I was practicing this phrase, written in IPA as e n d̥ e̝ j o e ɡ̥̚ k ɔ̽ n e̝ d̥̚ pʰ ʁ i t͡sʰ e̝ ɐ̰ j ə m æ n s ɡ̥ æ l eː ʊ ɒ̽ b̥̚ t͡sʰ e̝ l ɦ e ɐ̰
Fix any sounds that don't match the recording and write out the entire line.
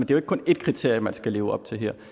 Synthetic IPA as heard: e n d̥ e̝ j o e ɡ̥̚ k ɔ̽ n e̝ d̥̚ kʰ ʁ i t͡sʰ e̝ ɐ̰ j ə m æ n s ɡ̥ æ l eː ʊ ɒ̽ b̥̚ t͡sʰ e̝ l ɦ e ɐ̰